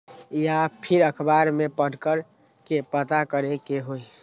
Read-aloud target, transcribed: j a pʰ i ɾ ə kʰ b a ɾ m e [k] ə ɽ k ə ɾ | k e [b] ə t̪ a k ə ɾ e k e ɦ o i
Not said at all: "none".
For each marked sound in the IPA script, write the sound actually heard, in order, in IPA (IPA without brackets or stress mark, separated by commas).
p, p